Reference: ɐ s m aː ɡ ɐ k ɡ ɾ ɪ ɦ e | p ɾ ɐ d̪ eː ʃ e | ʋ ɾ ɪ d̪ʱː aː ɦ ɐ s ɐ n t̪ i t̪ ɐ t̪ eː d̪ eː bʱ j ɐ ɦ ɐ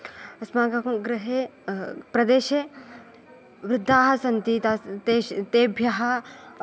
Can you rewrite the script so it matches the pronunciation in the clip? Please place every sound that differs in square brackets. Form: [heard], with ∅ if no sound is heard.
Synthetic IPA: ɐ s m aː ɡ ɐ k ɡ ɾ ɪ ɦ e | p ɾ ɐ d̪ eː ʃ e | ʋ ɾ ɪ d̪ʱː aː ɦ ɐ s ɐ n t̪ i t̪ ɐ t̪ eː [t̪] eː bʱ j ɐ ɦ ɐ

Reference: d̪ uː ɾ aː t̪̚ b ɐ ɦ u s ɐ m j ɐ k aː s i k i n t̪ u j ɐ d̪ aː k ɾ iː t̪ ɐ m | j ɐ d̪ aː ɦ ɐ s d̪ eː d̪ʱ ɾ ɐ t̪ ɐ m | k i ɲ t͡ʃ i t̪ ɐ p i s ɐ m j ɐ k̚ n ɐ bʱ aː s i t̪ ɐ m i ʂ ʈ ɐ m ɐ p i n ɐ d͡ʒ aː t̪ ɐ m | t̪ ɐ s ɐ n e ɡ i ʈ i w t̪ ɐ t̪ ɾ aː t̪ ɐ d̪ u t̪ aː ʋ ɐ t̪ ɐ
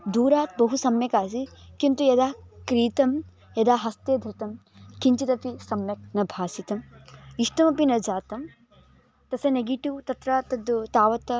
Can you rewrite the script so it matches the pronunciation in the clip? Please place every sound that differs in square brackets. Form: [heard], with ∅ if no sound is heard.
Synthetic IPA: d̪ uː ɾ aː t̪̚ b ɐ ɦ u s ɐ m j ɐ k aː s i k i n t̪ u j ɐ d̪ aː k ɾ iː t̪ ɐ m | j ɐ d̪ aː ɦ ɐ s [t̪] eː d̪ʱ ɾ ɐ t̪ ɐ m | k i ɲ t͡ʃ i t̪ ɐ p i s ɐ m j ɐ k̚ n ɐ bʱ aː s i t̪ ɐ m i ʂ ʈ ɐ m ɐ p i n ɐ d͡ʒ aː t̪ ɐ m | t̪ ɐ s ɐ n e ɡ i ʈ i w t̪ ɐ t̪ ɾ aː t̪ ɐ d̪ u t̪ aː ʋ ɐ t̪ ɐ

